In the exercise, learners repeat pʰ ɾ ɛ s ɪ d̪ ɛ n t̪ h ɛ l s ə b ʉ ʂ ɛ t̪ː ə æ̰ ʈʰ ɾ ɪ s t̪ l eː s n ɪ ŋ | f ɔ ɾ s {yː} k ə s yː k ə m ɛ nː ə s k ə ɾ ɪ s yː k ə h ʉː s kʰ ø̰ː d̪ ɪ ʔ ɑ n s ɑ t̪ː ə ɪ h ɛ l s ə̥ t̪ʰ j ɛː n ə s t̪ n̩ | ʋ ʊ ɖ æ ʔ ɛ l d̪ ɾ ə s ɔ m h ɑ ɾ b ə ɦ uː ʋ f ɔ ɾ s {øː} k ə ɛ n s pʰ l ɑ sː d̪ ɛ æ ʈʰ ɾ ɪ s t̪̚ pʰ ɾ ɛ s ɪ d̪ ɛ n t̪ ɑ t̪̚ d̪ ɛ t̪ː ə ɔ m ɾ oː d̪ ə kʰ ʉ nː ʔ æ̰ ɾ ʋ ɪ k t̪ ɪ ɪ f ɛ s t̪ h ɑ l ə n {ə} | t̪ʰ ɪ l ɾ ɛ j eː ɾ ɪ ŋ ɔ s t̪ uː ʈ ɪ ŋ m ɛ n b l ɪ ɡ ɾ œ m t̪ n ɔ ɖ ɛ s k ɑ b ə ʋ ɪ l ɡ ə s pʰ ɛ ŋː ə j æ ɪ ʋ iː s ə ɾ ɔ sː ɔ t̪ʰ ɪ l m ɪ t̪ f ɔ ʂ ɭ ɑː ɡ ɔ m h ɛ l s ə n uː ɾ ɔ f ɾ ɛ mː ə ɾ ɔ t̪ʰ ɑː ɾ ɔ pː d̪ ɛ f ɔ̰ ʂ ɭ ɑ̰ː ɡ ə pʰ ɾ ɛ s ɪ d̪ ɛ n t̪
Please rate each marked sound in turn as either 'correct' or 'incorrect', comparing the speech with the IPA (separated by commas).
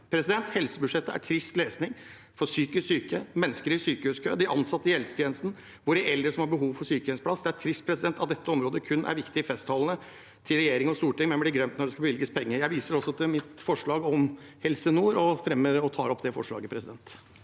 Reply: correct, incorrect, correct